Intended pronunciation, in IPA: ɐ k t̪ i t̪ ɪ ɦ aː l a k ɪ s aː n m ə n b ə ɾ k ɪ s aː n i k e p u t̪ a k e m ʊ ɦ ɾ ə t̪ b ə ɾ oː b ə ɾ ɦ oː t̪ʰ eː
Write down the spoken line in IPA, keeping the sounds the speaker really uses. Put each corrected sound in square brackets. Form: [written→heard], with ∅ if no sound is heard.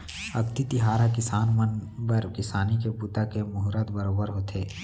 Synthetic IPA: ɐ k t̪ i t̪ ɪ ɦ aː [l→ɾ] a k ɪ s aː n m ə n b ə ɾ k ɪ s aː n i k e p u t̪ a k e m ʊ ɦ ɾ ə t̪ b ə ɾ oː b ə ɾ ɦ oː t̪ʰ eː